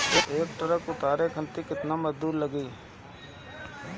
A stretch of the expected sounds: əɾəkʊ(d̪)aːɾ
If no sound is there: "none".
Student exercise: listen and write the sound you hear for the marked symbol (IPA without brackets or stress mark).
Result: t̪